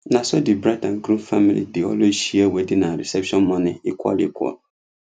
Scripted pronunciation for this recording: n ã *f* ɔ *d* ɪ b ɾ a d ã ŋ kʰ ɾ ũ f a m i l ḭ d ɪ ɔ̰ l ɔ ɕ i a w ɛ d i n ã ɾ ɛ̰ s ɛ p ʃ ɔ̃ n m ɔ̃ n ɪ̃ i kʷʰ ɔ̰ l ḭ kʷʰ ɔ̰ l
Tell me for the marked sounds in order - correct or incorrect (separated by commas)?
incorrect, correct